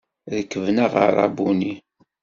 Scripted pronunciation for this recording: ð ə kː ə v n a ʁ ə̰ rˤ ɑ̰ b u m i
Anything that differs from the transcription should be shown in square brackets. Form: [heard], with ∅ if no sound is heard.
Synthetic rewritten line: ð ə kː ə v n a ʁ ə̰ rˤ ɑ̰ b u [n] i